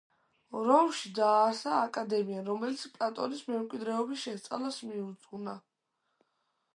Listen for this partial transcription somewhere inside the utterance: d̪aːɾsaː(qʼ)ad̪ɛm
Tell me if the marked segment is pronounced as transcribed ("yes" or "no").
no